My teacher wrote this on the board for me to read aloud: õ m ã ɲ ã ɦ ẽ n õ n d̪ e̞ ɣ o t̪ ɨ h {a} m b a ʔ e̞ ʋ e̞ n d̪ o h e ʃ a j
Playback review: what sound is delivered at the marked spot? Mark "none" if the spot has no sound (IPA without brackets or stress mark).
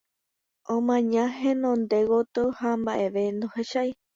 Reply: a